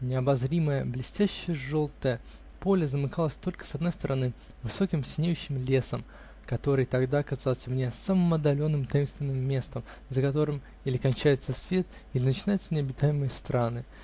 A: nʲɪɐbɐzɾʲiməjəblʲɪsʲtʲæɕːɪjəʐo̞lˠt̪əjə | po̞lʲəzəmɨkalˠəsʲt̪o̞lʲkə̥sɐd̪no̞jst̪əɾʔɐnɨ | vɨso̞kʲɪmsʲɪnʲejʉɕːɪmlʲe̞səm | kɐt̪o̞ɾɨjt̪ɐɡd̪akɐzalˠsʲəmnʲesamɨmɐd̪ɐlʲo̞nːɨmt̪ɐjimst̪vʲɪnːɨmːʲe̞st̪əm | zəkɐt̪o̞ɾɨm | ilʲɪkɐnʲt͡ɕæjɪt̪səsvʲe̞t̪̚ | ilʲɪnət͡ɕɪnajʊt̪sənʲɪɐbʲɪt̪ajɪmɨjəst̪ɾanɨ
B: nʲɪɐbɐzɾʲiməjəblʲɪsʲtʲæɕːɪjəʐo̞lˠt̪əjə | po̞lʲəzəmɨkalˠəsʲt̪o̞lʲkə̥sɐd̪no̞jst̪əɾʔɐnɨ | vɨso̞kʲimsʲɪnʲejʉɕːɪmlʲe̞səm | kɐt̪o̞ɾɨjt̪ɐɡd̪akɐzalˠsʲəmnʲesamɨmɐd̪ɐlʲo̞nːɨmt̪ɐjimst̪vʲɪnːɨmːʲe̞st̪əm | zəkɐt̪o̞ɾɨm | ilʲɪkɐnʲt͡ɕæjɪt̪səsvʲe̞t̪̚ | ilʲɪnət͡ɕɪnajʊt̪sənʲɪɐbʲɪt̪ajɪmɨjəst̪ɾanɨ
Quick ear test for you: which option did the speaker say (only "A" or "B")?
A